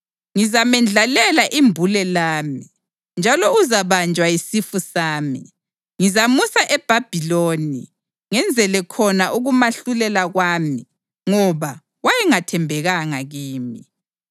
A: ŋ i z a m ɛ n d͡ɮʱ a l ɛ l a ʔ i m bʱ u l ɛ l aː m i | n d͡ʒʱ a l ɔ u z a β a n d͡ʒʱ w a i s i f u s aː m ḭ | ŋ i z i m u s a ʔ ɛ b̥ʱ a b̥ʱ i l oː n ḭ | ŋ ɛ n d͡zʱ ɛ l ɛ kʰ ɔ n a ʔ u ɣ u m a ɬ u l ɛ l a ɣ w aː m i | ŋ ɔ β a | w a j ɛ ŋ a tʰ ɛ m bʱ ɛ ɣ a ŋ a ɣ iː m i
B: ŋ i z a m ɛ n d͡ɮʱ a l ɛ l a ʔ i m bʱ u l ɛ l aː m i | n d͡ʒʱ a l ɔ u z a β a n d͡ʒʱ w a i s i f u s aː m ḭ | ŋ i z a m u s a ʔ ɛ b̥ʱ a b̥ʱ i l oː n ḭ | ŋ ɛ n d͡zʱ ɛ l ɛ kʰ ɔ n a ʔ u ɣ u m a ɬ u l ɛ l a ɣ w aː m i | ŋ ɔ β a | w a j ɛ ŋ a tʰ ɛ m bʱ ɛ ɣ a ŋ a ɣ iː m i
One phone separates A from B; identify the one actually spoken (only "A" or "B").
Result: B